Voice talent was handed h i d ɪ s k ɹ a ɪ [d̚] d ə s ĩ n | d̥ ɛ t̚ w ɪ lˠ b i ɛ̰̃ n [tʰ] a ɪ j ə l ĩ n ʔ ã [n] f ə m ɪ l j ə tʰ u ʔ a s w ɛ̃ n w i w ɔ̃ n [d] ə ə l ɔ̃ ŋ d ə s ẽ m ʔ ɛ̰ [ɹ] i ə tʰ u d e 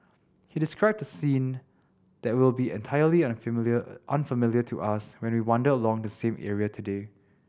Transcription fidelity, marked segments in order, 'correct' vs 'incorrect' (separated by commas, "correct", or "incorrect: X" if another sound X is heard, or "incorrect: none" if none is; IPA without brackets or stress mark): incorrect: b̚, correct, correct, correct, correct